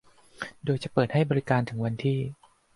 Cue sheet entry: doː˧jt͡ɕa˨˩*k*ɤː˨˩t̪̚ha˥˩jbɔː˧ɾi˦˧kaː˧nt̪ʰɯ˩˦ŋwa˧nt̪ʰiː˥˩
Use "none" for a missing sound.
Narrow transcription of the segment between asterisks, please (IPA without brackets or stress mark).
p